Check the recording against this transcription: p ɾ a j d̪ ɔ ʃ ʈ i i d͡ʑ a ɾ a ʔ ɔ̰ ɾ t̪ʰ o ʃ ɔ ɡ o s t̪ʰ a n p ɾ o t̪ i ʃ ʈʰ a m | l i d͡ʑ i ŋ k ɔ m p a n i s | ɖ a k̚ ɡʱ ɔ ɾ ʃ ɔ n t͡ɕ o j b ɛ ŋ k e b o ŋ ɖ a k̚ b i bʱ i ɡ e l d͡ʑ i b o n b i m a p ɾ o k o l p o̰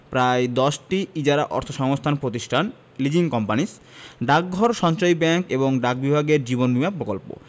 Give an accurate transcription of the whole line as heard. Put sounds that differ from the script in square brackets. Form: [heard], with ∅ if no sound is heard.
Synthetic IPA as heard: p ɾ a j d̪ ɔ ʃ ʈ i i d͡ʑ a ɾ a ʔ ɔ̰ ɾ t̪ʰ o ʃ ɔ [ŋ] o s t̪ʰ a n p ɾ o t̪ i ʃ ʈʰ a [n] | l i d͡ʑ i ŋ k ɔ m p a n i s | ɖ a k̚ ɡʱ ɔ ɾ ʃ ɔ n t͡ɕ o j b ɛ ŋ k e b o ŋ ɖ a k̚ b i bʱ [a] ɡ e [ɾ] d͡ʑ i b o n b i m a p ɾ o k o l p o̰